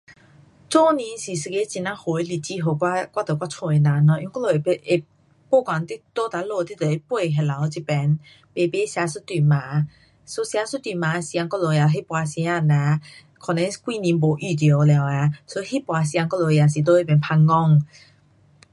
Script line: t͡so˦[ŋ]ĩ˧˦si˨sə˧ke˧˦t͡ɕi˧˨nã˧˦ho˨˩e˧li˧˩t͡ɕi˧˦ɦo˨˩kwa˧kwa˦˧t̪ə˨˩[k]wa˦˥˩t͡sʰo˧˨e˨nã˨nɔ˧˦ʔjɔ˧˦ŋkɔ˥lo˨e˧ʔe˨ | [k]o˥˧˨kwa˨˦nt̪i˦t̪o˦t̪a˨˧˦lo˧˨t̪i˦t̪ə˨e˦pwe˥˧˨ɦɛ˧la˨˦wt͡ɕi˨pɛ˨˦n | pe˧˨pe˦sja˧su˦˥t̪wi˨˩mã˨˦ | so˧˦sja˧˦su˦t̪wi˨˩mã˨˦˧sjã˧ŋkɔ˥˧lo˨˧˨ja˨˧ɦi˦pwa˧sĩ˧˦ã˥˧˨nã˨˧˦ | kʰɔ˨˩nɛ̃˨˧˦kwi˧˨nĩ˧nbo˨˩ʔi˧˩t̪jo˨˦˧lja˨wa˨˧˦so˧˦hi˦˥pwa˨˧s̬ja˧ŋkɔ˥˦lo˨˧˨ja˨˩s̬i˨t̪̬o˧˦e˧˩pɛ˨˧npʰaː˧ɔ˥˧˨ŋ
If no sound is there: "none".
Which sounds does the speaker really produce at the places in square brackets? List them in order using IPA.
n, k, p

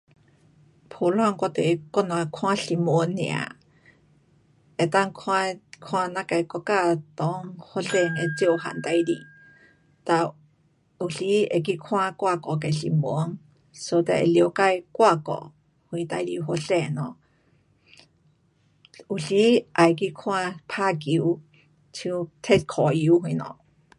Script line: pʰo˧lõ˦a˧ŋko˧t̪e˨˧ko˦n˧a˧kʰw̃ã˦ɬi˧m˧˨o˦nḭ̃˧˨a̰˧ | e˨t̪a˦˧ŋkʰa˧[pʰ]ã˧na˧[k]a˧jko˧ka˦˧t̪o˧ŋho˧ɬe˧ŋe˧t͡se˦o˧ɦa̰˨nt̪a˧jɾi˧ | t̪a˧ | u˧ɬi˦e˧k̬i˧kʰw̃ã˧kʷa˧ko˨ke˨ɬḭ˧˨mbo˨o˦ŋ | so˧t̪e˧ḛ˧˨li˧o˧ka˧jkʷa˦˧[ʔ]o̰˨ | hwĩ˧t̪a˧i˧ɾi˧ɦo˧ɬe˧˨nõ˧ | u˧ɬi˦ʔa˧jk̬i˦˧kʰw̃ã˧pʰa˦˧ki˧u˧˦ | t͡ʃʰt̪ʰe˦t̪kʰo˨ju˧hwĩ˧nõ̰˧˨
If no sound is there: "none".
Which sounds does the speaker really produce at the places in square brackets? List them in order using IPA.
kʰ, k, k

